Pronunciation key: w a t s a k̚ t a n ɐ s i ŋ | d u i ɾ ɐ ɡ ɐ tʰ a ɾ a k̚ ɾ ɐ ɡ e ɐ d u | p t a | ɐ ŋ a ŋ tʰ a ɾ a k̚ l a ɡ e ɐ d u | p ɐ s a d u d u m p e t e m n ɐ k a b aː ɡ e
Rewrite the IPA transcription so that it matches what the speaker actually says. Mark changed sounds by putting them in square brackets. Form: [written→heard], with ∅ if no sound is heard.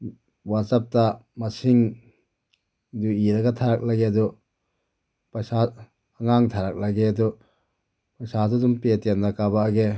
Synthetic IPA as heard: w a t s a [k̚→p̚] t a [n→m] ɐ s i ŋ | d u i ɾ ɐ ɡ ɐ tʰ a ɾ a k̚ [ɾ→l] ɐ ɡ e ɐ d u | p [t→s] a | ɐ ŋ a ŋ tʰ a ɾ a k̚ l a ɡ e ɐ d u | p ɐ s a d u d u m p e t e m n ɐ k a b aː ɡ e